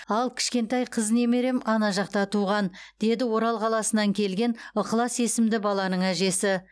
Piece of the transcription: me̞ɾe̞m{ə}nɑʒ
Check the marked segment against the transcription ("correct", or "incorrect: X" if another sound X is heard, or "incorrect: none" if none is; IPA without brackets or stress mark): incorrect: ɑ